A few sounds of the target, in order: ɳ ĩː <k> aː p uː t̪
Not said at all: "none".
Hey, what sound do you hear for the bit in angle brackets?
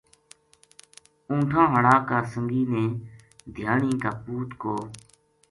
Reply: k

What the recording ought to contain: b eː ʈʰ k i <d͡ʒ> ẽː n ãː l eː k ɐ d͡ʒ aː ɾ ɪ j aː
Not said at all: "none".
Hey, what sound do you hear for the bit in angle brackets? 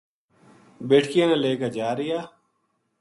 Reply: none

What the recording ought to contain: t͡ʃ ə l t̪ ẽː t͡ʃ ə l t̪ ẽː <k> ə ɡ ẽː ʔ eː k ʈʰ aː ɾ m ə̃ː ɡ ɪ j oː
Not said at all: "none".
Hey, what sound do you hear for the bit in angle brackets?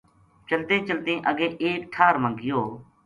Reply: ʔ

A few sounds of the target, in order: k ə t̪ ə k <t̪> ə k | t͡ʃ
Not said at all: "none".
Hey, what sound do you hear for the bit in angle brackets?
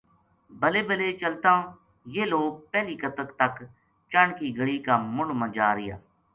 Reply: t̪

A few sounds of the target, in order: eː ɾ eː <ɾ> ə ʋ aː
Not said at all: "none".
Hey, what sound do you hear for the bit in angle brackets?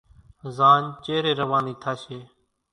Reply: ɾ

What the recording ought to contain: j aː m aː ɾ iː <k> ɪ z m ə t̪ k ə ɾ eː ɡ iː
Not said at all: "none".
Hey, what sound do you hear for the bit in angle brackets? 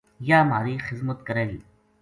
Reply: x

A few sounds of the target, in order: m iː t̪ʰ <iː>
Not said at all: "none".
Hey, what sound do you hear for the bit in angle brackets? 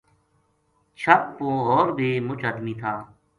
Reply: aː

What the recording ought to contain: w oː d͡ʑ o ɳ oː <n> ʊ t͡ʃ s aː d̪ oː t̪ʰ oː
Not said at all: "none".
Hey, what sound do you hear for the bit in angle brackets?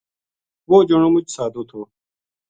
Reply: m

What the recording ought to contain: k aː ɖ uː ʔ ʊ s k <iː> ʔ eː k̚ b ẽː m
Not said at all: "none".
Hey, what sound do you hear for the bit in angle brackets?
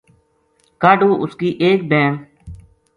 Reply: iː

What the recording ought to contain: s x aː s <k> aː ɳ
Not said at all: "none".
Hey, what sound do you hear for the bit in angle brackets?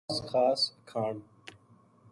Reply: kʰ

